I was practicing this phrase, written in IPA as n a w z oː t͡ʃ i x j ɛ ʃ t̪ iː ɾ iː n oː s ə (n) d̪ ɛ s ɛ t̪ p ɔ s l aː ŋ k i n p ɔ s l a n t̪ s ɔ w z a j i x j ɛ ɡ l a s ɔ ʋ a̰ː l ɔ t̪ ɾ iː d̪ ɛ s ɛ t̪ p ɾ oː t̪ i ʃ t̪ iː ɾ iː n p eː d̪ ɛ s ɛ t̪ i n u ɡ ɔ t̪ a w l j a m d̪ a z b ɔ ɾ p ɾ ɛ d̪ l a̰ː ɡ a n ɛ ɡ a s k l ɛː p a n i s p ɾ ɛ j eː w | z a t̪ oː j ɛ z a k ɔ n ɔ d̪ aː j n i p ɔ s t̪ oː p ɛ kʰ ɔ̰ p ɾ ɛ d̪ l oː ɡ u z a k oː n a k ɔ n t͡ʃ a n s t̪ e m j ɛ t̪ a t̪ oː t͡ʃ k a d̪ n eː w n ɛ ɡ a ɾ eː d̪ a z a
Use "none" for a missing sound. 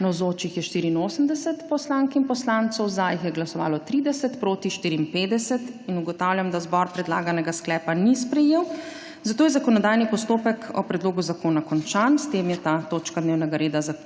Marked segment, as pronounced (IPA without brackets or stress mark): m